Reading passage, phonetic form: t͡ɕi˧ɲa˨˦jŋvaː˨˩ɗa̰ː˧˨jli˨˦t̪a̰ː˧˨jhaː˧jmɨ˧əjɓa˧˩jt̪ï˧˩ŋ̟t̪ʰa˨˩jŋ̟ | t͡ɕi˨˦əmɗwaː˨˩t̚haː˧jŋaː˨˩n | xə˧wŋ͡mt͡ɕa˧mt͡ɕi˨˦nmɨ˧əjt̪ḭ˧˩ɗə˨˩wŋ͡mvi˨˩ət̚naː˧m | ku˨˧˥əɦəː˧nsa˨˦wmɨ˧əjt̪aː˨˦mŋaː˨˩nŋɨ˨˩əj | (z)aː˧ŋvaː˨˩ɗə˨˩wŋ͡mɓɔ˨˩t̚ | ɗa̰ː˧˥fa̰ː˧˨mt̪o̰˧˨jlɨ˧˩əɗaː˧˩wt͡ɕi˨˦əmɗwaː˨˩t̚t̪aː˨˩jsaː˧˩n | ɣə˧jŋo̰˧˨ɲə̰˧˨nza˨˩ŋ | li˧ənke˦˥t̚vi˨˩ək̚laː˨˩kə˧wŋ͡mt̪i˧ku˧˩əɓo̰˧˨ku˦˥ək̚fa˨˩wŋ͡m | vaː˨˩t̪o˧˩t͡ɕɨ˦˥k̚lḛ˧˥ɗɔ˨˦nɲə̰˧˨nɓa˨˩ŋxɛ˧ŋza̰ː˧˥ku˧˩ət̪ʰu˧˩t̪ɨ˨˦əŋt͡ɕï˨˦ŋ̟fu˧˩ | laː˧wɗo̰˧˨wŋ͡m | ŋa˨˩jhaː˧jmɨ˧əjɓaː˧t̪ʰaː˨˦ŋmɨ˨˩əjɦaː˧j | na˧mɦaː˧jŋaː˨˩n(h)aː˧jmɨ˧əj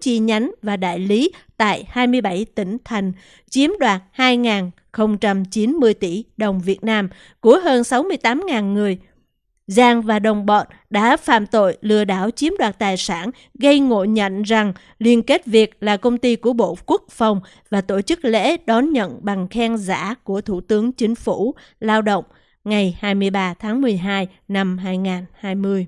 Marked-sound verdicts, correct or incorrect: correct, correct

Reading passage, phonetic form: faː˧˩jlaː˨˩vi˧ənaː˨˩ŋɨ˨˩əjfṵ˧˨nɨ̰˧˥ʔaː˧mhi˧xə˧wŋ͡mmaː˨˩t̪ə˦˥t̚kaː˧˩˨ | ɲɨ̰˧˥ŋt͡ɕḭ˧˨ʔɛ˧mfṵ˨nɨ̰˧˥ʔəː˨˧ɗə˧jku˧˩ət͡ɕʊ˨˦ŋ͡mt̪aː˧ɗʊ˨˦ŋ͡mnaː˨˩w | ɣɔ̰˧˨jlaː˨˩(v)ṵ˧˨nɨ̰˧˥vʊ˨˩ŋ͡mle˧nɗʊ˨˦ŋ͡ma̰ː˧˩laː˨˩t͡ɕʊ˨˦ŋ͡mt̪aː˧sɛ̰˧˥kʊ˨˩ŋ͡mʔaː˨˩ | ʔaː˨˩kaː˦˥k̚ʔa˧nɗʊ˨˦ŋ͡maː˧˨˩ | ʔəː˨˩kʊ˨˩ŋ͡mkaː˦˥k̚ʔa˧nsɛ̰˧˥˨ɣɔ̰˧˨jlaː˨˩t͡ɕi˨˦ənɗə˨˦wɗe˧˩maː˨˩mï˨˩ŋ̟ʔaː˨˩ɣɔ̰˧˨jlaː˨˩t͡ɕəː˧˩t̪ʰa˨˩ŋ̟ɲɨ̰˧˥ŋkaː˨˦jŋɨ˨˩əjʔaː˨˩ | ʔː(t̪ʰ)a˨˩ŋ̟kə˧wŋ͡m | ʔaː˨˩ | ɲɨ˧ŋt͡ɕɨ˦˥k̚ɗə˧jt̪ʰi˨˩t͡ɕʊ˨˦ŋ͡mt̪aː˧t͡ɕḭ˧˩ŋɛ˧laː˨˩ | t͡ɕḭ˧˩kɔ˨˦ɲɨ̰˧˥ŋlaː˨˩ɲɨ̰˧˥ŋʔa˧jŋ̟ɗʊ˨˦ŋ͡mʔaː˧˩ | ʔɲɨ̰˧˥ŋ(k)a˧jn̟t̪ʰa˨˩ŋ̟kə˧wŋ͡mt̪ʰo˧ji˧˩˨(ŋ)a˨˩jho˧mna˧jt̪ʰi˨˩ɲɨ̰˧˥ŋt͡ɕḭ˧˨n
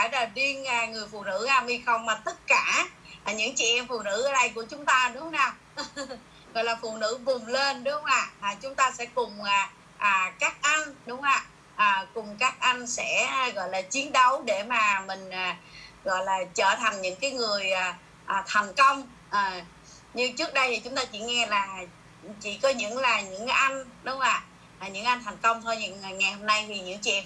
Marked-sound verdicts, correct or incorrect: incorrect: f, correct, incorrect: ʔ, correct

